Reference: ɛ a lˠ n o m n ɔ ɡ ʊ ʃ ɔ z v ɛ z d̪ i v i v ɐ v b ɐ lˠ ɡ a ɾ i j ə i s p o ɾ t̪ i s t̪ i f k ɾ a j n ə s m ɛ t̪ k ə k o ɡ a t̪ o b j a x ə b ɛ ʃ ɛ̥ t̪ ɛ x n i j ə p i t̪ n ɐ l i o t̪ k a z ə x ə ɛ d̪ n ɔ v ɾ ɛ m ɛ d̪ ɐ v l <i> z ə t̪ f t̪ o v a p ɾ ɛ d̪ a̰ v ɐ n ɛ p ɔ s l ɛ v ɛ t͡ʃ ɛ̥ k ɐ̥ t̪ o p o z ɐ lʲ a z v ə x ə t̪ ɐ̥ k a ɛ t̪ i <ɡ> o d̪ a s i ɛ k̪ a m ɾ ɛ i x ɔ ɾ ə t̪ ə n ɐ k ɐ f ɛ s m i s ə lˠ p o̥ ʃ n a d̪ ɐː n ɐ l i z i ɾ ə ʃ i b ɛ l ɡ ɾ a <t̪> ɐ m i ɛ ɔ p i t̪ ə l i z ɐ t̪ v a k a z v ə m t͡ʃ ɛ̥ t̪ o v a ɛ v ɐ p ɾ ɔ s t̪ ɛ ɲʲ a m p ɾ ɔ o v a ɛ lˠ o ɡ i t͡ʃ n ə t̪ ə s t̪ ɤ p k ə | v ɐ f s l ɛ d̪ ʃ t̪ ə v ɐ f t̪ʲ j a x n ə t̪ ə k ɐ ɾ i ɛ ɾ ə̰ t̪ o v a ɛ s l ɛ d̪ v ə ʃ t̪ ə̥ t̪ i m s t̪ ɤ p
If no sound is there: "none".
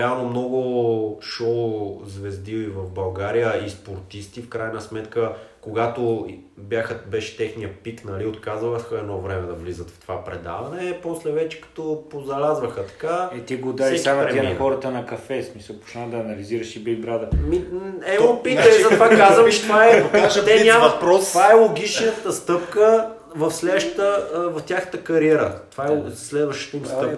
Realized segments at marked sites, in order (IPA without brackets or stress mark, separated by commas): i, ɡ, d̪